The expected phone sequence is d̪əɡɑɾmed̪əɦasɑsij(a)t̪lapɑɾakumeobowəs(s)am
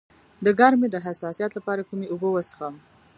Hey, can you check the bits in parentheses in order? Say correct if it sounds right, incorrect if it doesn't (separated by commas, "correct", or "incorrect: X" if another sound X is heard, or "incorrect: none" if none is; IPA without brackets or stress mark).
incorrect: ɑ, incorrect: x